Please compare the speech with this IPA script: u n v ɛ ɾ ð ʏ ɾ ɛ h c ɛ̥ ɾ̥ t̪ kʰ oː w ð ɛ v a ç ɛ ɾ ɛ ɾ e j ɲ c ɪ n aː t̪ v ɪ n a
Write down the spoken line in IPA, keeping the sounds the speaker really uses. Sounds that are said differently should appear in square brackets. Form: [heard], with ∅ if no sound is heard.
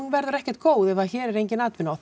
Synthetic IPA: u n v ɛ ɾ ð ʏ ɾ ɛ h c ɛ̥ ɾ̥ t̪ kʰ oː w ð ɛ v a ç [ɛː] ɾ ɛ ɾ e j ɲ c ɪ n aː t̪ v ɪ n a